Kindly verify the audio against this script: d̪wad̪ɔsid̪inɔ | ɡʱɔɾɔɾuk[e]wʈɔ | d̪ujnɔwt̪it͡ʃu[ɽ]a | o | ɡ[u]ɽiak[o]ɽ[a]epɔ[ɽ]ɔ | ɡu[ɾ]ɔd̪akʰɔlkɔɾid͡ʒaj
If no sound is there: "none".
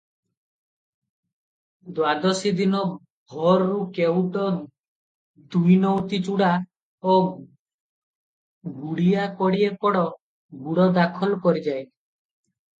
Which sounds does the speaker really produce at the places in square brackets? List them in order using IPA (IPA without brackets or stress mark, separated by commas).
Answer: e, ɽ, u, ɔ, i, ɽ, ɽ